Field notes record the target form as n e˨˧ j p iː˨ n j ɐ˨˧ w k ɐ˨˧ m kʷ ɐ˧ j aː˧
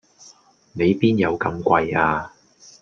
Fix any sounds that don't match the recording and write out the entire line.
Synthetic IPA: n e˨˧ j p iː˥ n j ɐ˨˧ w k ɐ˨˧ m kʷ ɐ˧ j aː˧